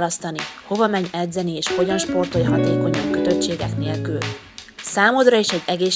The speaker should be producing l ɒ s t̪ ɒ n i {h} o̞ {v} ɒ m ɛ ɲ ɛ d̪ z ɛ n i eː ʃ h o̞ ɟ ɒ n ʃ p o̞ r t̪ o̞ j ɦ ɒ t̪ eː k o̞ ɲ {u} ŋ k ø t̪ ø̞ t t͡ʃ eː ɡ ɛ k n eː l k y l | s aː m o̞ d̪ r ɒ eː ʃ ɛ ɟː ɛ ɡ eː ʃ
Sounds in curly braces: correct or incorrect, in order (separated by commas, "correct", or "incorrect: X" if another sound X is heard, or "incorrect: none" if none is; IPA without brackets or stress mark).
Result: correct, correct, incorrect: ɒ